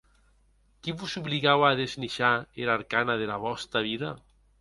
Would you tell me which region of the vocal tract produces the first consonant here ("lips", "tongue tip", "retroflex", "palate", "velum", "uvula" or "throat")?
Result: velum